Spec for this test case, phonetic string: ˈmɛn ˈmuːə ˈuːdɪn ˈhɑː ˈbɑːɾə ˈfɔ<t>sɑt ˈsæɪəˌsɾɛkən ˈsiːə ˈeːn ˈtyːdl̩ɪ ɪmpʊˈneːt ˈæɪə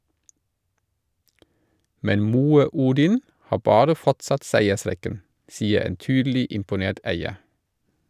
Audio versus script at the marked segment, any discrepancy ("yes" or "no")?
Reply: no